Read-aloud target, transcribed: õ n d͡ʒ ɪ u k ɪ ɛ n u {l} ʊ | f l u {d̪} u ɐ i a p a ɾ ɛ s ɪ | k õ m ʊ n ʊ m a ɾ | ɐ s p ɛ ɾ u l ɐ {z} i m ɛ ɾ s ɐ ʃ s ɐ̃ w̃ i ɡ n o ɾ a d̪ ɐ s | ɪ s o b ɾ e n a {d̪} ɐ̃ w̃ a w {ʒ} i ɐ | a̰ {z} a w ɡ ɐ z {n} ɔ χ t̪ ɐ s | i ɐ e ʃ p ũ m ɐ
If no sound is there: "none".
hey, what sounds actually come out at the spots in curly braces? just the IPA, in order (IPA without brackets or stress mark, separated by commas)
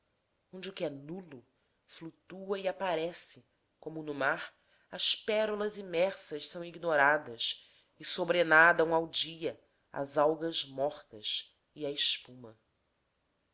l, t̪, z, d̪, d͡ʒ, z, m